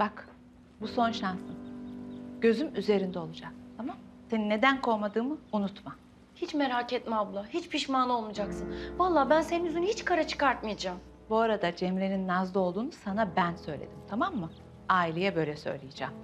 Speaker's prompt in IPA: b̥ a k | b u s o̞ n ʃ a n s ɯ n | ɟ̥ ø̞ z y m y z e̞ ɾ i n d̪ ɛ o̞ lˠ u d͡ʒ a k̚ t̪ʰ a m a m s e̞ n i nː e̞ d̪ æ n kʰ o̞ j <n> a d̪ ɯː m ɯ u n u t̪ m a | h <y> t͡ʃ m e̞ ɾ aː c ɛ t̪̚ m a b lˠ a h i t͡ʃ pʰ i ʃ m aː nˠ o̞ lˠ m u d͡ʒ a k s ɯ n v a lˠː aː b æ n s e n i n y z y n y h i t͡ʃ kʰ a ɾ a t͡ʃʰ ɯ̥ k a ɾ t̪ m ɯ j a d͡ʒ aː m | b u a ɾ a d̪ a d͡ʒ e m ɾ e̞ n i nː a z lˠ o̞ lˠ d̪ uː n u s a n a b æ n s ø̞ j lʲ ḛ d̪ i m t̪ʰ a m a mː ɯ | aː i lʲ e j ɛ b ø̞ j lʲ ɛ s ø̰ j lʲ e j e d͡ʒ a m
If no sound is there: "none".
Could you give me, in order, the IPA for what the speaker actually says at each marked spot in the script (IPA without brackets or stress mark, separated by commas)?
m, i